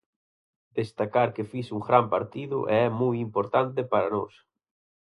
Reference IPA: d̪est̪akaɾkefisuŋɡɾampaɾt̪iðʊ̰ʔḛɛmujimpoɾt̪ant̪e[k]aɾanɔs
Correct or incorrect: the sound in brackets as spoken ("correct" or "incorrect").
incorrect